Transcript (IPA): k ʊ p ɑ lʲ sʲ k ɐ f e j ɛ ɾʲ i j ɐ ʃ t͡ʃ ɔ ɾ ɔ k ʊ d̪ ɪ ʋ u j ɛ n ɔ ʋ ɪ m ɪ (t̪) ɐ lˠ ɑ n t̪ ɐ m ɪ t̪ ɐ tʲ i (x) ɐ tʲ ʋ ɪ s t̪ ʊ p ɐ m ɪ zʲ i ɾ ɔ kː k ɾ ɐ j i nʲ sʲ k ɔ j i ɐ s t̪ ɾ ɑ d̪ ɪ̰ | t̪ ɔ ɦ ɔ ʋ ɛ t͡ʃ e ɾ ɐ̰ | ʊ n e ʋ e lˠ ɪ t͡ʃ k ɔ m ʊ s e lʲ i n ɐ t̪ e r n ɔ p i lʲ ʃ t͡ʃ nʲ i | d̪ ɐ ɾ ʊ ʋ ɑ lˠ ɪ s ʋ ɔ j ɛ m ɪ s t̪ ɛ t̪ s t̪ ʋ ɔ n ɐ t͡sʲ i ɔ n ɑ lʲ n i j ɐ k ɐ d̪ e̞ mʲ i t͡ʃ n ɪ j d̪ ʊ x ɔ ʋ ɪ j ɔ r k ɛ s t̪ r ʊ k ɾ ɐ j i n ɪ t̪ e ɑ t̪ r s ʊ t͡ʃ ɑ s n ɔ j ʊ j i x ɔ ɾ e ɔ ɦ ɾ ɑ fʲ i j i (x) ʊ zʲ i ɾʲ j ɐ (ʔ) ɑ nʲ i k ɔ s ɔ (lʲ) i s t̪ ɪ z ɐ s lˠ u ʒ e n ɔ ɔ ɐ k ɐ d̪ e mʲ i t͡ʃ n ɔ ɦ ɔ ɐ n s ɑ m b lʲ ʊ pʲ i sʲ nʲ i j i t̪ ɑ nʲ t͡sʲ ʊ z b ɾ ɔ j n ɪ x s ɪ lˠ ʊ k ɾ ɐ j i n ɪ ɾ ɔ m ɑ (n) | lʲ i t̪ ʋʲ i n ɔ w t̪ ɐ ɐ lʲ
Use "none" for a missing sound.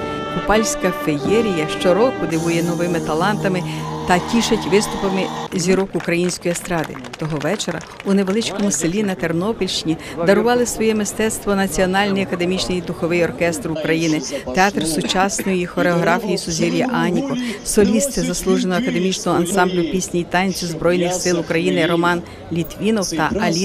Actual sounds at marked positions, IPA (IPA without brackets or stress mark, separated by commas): t̪, ʃ, s, ʔ, lʲ, n